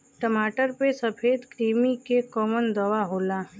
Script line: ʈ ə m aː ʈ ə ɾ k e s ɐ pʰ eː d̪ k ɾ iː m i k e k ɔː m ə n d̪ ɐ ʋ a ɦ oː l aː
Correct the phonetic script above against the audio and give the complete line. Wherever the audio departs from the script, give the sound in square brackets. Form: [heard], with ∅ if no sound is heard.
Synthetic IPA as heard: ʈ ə m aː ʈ ə ɾ [p] e s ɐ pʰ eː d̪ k ɾ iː m i k e k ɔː m ə n d̪ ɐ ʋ a ɦ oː l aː